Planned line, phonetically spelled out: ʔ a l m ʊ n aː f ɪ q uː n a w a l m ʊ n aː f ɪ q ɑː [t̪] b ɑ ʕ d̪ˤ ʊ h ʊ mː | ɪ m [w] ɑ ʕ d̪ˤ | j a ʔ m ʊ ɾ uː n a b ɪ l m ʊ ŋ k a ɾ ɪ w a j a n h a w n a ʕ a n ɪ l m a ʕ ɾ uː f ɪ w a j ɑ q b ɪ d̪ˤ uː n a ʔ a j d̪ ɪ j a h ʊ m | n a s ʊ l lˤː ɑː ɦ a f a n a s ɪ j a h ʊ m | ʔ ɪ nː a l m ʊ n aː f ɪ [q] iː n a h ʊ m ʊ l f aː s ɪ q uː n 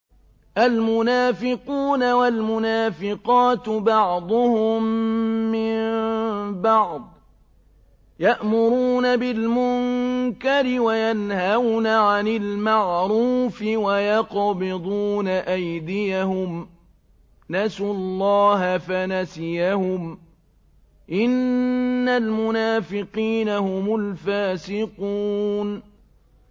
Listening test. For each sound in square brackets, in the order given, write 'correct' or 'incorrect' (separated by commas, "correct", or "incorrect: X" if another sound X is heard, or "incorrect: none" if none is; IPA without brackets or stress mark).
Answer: correct, incorrect: b, correct